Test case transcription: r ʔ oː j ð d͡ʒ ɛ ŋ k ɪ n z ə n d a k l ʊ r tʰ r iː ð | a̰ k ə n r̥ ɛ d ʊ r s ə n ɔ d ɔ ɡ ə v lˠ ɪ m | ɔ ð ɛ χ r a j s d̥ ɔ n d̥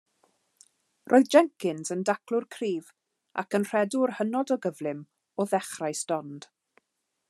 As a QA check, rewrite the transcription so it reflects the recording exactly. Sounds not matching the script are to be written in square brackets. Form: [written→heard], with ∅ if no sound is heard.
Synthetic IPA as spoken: r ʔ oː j ð d͡ʒ ɛ ŋ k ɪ n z ə n d a k l ʊ r [tʰ→kʰ] r iː [ð→v] | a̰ k ə n r̥ ɛ d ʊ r [s→h] ə n ɔ d ɔ ɡ ə v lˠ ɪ m | ɔ ð ɛ χ r a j s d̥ ɔ n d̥